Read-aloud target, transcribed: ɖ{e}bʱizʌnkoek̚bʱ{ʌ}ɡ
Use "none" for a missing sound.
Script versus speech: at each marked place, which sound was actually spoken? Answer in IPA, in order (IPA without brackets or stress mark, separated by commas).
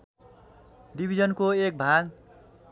i, a